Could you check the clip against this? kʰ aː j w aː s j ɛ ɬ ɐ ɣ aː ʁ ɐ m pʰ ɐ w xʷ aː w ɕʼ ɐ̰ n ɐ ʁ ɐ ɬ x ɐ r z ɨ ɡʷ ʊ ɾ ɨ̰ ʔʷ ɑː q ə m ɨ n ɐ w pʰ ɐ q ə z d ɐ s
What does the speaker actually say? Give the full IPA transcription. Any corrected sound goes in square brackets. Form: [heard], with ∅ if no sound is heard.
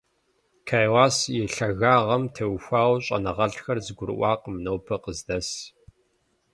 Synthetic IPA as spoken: kʰ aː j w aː s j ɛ ɬ ɐ ɣ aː ʁ ɐ m [tʰ] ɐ w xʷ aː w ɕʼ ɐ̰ n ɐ ʁ ɐ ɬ x ɐ r z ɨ ɡʷ ʊ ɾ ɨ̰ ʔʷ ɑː q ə m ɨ n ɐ w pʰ ɐ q ə z d ɐ s